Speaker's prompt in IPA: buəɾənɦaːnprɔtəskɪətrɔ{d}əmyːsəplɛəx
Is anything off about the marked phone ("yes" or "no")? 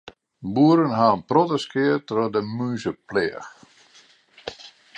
no